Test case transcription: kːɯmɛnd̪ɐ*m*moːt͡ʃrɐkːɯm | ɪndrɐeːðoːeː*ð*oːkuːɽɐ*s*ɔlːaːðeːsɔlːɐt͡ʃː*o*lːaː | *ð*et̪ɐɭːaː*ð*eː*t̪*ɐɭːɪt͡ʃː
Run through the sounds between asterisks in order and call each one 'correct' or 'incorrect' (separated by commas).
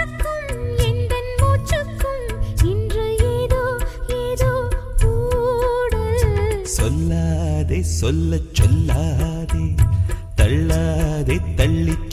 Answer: incorrect, correct, correct, incorrect, correct, correct, correct